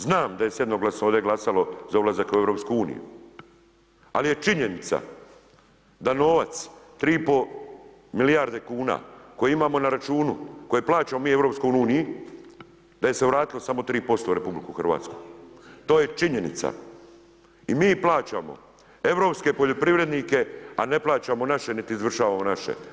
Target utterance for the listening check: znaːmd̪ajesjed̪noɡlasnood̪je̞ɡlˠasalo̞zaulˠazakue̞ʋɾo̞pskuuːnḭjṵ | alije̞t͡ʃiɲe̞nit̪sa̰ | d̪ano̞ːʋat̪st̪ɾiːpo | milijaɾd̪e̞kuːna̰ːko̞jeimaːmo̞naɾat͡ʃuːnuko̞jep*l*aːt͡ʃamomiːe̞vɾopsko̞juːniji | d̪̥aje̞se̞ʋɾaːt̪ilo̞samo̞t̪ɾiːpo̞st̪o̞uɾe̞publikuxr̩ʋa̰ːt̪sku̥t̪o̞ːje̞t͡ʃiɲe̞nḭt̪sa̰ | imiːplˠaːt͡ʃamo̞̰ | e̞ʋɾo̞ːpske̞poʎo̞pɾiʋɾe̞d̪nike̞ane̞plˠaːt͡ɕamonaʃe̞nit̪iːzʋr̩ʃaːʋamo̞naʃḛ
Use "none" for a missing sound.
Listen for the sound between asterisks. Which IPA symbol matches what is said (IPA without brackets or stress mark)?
l